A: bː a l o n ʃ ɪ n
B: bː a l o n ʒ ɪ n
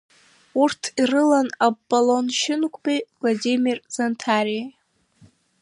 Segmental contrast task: A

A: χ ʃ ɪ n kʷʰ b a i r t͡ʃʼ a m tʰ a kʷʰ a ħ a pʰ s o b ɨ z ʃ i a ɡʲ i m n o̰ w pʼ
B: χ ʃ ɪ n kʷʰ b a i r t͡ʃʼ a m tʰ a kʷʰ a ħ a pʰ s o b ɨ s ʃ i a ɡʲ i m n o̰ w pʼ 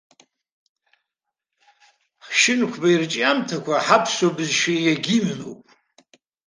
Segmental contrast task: A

